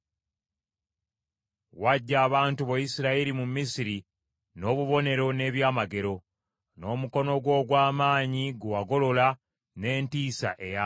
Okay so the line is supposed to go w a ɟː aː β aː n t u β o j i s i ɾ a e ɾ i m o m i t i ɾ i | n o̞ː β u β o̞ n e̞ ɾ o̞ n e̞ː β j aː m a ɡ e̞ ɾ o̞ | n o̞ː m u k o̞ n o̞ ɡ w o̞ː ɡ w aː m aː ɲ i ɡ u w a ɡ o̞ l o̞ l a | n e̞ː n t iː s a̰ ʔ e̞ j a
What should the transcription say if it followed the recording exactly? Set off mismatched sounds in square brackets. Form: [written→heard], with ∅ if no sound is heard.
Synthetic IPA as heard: w a ɟː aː β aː n t u β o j i s i ɾ a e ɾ i m [o→u] m i [t→s] i ɾ i | n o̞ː β u β o̞ n e̞ ɾ o̞ n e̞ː β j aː m a ɡ e̞ ɾ o̞ | n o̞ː m u k o̞ n o̞ ɡ w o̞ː ɡ w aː m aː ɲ i ɡ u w a ɡ o̞ l o̞ l a | n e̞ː n t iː s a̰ ʔ e̞ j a